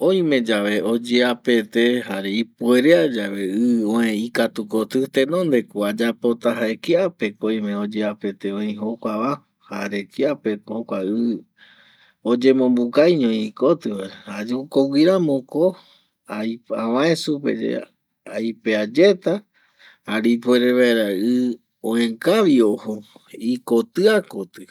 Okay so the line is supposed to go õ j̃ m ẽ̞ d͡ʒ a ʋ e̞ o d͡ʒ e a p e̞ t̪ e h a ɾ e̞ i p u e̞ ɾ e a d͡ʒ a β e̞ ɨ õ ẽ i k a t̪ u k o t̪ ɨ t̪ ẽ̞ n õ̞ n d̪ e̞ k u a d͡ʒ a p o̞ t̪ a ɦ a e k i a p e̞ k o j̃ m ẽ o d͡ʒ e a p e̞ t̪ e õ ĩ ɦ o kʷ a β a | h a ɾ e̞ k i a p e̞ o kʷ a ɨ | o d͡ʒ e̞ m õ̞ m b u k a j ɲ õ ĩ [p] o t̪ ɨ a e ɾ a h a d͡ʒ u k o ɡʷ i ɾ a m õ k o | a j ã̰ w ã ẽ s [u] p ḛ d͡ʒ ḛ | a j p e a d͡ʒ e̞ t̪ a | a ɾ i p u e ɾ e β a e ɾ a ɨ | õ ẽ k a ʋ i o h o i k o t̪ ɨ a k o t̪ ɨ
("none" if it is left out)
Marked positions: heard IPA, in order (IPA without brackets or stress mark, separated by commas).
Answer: k, u